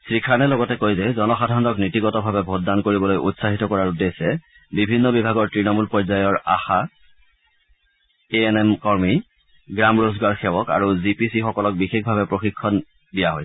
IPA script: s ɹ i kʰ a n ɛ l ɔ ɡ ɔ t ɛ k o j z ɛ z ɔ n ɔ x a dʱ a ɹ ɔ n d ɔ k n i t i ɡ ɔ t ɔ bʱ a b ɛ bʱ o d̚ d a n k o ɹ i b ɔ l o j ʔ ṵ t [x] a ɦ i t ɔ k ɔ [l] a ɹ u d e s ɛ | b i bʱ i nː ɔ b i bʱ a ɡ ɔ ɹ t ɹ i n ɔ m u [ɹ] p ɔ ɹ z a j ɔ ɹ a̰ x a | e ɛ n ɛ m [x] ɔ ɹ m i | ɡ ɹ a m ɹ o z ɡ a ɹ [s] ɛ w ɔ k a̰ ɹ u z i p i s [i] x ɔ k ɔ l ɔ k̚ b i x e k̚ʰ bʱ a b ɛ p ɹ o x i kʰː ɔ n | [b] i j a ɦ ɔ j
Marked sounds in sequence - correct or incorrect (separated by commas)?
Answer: incorrect, incorrect, incorrect, incorrect, incorrect, correct, incorrect